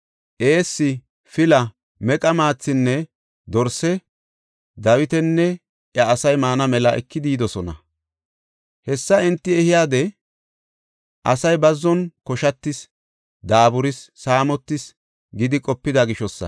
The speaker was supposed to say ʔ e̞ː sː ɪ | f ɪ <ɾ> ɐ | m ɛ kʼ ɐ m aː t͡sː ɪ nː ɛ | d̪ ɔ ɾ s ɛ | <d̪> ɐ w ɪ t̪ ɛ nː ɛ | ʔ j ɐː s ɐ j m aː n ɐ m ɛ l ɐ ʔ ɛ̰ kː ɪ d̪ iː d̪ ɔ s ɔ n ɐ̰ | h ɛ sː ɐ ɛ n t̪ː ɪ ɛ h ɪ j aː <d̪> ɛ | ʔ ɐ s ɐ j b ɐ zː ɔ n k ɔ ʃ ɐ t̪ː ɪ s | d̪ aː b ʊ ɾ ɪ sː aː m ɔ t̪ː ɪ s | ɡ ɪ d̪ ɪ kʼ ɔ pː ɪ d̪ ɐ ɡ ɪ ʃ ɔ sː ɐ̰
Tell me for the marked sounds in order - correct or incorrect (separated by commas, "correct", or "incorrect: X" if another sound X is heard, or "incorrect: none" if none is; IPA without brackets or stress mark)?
incorrect: l, correct, correct